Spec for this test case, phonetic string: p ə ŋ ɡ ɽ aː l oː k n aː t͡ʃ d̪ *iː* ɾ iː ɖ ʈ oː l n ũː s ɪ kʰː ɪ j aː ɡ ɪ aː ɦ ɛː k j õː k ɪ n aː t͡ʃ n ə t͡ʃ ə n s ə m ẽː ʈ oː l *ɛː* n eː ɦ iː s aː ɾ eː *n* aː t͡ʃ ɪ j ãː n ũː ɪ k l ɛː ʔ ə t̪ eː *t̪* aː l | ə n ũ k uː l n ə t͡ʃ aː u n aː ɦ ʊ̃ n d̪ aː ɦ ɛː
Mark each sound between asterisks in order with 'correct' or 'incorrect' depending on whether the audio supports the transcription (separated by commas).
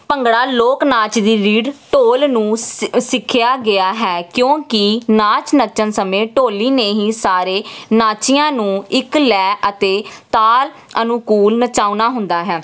correct, incorrect, correct, correct